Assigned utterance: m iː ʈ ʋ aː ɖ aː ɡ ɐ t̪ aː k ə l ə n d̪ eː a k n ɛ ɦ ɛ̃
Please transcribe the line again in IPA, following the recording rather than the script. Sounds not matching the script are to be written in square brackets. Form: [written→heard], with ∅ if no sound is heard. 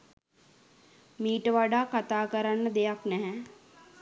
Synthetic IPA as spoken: m iː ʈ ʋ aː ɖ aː [ɡ→k] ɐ t̪ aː k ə [l→ɾ] ə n d̪ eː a k n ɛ ɦ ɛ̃